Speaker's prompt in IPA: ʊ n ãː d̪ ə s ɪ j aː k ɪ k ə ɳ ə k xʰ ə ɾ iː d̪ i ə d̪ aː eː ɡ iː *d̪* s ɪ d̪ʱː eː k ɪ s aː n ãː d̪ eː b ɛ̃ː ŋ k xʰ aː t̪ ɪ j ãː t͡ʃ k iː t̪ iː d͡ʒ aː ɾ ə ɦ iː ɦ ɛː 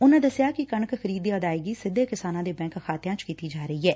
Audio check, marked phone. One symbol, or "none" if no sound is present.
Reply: none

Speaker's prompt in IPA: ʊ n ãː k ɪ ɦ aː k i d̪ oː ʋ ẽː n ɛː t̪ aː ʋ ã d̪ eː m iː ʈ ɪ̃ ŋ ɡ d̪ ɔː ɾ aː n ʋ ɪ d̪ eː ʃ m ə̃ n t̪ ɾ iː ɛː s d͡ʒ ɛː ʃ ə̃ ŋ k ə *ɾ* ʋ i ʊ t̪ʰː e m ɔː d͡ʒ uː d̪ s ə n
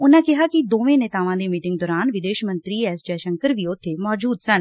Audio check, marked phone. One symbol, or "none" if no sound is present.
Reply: ɾ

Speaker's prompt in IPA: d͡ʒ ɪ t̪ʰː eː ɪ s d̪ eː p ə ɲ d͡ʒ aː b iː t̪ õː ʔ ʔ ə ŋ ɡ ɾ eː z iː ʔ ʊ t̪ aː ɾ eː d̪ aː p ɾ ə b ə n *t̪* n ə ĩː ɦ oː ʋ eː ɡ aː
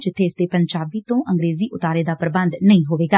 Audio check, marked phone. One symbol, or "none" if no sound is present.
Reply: d̪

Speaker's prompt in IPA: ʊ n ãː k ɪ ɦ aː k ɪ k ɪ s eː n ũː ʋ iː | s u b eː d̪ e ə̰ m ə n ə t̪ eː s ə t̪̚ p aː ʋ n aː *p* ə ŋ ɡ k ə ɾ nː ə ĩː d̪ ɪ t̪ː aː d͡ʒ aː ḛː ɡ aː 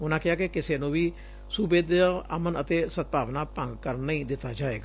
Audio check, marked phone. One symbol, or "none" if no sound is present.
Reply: p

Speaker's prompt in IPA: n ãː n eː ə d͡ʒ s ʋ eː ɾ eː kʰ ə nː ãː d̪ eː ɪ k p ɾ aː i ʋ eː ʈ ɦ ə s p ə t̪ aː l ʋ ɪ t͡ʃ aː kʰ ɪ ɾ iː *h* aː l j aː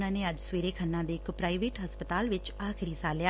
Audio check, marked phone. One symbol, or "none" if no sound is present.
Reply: s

